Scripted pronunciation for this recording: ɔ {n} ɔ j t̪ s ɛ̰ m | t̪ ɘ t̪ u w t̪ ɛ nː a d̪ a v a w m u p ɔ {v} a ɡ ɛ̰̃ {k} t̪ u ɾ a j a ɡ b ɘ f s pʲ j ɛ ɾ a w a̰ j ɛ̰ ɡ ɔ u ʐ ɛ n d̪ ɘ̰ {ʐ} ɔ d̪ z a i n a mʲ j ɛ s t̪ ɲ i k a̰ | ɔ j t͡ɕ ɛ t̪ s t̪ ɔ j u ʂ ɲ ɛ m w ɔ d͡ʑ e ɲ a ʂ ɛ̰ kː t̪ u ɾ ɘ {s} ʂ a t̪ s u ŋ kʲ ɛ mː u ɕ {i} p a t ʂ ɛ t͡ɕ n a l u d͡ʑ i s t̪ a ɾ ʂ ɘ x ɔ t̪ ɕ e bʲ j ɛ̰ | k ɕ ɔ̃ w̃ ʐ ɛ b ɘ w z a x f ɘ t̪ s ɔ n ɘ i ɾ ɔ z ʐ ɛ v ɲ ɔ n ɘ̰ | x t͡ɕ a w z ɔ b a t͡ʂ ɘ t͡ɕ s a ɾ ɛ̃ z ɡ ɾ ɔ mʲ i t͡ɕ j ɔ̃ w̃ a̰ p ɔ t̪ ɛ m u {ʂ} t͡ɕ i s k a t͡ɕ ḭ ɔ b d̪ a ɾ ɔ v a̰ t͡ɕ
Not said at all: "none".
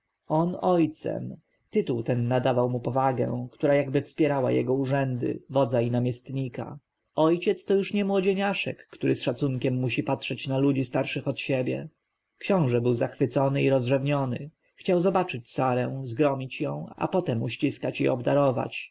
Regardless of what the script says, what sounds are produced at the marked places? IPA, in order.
n, v, k, v, s, i, ɕ

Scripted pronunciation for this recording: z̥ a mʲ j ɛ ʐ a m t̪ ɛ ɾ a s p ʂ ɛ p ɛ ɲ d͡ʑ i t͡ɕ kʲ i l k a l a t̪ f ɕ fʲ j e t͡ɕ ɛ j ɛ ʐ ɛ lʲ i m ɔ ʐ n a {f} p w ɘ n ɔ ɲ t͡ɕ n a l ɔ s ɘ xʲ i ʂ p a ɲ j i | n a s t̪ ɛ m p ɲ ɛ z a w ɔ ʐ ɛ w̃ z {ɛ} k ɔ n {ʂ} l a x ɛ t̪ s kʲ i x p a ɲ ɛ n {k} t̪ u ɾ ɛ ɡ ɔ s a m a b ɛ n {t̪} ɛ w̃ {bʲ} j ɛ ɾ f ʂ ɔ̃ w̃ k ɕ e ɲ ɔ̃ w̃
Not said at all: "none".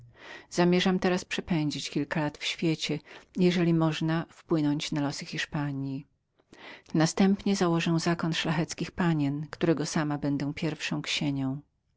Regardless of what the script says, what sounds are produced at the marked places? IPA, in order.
f, a, ʂ, k, d̪, pʲ

